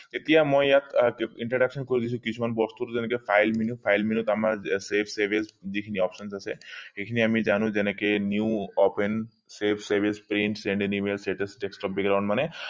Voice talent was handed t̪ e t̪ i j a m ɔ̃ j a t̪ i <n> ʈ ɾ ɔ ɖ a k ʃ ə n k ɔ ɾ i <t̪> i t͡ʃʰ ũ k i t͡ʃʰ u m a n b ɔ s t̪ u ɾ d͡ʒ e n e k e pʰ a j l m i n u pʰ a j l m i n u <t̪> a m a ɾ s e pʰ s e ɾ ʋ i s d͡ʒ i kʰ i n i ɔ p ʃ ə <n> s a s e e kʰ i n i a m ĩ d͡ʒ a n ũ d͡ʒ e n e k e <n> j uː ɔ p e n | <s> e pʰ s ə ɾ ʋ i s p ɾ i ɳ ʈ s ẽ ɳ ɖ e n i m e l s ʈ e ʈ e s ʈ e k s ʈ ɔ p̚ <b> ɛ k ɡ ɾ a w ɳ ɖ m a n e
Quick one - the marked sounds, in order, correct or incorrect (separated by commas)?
incorrect, incorrect, correct, correct, correct, correct, correct